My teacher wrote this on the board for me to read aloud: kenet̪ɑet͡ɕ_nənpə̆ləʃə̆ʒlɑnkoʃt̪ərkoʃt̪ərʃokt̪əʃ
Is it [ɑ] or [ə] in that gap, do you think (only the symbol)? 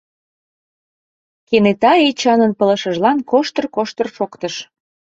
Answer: ɑ